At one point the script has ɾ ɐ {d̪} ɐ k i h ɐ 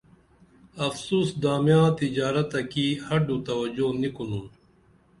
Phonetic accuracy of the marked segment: incorrect: t̪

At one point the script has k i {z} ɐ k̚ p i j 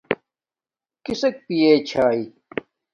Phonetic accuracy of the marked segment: incorrect: s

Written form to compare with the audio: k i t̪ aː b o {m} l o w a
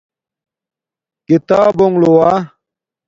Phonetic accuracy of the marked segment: incorrect: ŋ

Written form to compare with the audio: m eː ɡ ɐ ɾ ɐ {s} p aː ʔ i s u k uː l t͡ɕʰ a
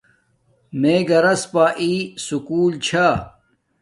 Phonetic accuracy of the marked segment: correct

